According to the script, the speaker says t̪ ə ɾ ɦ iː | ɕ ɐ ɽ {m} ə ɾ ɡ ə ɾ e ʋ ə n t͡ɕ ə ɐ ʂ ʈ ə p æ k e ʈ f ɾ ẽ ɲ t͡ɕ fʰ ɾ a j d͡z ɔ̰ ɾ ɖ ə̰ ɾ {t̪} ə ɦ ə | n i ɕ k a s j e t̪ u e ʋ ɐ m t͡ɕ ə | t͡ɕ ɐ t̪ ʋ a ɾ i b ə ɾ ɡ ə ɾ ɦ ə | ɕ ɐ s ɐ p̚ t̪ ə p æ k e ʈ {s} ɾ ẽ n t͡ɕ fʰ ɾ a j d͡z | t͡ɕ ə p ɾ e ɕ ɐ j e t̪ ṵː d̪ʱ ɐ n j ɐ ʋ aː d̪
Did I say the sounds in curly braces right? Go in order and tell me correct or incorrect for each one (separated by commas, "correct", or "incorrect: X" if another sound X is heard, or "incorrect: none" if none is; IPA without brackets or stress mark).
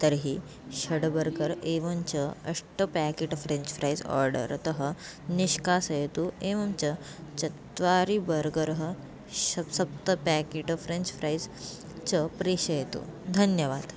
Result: incorrect: b, correct, incorrect: f